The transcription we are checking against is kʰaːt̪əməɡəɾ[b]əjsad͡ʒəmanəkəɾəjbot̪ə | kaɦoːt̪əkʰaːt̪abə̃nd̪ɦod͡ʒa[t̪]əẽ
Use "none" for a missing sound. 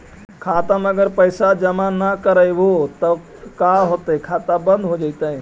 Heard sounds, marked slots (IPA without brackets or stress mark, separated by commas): p, t̪